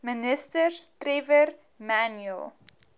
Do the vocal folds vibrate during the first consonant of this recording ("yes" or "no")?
yes